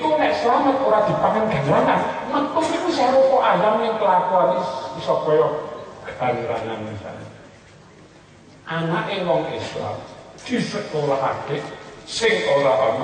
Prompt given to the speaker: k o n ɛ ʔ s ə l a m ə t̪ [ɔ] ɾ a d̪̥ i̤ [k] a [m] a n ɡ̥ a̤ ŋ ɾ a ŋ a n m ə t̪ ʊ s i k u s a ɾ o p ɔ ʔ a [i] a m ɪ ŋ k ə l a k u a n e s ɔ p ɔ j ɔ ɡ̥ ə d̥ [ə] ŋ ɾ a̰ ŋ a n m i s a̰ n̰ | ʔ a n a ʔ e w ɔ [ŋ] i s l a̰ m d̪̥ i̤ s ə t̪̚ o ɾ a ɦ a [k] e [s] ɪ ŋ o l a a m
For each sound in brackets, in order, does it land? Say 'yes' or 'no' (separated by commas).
no, no, no, no, no, yes, yes, yes